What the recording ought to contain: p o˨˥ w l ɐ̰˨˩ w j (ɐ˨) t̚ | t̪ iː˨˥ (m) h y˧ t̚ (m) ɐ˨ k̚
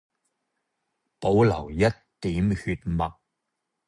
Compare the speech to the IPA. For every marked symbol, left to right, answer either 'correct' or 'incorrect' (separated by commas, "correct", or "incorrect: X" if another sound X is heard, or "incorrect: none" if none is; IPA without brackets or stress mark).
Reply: incorrect: ɐ˥, correct, correct